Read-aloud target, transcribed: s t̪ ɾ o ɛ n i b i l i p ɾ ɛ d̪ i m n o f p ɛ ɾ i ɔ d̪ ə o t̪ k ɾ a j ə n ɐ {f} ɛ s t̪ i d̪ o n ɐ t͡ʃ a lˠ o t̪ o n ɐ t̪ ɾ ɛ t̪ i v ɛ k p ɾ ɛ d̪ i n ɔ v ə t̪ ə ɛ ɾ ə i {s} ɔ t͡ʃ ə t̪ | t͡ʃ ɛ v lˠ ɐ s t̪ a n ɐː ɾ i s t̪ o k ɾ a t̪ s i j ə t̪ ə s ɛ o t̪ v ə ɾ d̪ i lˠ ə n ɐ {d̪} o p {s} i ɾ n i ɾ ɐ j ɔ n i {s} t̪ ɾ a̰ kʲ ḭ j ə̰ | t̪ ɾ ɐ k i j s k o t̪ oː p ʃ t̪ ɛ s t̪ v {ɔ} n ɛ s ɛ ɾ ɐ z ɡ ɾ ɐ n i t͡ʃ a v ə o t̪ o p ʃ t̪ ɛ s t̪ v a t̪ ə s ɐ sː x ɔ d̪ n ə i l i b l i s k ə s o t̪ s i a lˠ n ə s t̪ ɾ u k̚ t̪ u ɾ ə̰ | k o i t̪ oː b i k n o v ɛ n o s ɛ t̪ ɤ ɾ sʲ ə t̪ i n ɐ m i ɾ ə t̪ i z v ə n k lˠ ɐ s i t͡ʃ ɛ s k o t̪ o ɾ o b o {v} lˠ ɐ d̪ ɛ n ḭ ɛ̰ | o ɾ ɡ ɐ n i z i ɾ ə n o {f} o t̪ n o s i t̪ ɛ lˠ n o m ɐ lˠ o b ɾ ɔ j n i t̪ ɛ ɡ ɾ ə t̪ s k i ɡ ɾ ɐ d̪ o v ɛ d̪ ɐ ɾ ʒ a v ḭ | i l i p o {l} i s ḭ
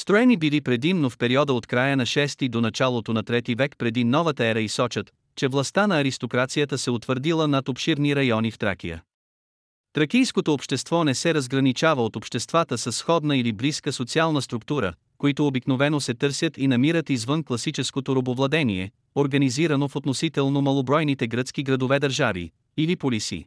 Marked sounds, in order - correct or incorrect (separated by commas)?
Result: incorrect, correct, incorrect, incorrect, incorrect, correct, correct, correct, correct